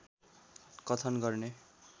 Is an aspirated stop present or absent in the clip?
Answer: present